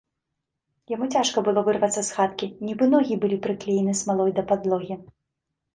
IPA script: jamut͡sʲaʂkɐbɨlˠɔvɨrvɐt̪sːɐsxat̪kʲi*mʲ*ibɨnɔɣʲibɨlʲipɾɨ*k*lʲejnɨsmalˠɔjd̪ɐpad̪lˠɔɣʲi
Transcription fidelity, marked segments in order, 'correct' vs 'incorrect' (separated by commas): incorrect, correct